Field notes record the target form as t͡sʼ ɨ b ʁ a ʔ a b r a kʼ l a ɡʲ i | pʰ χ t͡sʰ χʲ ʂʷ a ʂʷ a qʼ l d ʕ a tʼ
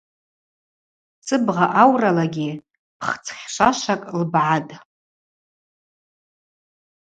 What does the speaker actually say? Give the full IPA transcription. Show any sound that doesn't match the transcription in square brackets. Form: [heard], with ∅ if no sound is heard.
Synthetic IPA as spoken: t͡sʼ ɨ b ʁ a ʔ a [w] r a [∅] l a ɡʲ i | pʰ χ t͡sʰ χʲ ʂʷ a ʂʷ a [kʼ] l [b] ʕ a tʼ